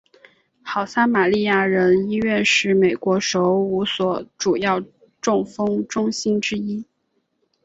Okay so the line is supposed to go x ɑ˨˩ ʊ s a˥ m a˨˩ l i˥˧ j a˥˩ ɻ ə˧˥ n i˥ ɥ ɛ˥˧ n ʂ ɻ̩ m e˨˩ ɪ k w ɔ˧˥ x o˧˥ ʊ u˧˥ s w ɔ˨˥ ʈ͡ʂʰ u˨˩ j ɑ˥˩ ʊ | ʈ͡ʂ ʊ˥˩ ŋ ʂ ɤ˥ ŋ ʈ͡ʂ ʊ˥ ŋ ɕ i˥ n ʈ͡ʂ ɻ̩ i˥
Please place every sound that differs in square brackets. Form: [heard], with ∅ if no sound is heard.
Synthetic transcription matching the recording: x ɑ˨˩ ʊ s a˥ m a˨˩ l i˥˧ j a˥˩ ɻ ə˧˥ n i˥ ɥ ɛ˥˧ n ʂ ɻ̩ m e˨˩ ɪ k w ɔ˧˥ [ʂ] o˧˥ ʊ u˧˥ s w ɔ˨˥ [ʈ͡ʂ] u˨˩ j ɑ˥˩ ʊ | ʈ͡ʂ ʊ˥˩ ŋ [f] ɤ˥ ŋ ʈ͡ʂ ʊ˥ ŋ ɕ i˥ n ʈ͡ʂ ɻ̩ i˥